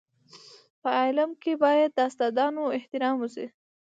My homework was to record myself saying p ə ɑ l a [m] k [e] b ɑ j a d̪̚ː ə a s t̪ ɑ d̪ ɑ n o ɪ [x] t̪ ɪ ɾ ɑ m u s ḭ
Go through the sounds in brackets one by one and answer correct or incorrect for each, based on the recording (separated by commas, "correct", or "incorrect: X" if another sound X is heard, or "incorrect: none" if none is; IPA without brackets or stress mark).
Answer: correct, correct, incorrect: h